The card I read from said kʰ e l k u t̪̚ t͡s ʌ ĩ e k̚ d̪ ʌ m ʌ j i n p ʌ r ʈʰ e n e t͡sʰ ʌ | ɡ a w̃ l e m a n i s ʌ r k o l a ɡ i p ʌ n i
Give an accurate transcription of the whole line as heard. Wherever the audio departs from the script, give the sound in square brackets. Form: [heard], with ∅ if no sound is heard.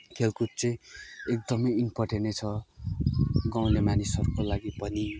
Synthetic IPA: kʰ e l k u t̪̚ t͡s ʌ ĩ e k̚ d̪ ʌ m ʌ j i n p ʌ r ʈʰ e n e t͡sʰ ʌ | ɡ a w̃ l e m a n i s ʌ r k o l a ɡ i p ʌ n i